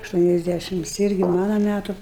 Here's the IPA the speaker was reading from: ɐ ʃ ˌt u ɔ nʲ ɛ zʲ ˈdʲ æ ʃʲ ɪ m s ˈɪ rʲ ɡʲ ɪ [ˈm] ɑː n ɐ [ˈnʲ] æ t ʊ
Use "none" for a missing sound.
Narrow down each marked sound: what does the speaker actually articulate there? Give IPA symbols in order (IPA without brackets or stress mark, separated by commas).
m, mʲ